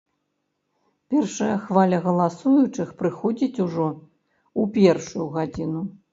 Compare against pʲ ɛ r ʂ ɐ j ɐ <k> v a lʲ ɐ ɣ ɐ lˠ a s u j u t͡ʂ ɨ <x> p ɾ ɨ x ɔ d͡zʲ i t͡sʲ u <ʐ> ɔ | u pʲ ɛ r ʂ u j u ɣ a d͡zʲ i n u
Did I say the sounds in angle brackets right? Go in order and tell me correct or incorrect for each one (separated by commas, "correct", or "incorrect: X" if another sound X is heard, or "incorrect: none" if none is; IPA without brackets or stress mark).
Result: incorrect: x, correct, correct